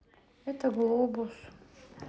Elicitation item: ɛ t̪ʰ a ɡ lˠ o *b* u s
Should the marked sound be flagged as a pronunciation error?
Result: no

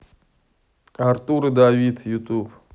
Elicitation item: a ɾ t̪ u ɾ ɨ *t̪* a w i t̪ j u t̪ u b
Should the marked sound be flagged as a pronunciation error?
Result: yes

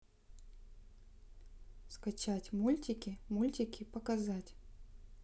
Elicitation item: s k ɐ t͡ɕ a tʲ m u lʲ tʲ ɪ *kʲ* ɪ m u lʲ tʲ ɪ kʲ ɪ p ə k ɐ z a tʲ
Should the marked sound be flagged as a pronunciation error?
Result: no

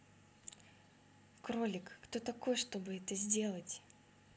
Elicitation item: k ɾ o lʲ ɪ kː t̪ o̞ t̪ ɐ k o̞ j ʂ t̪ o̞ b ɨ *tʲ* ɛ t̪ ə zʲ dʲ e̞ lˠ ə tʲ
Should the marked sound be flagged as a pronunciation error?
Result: yes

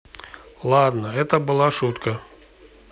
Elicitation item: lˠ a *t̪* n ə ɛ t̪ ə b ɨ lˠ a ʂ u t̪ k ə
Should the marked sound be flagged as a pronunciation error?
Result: yes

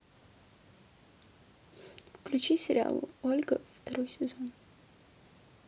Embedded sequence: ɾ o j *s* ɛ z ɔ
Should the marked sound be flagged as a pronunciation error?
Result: no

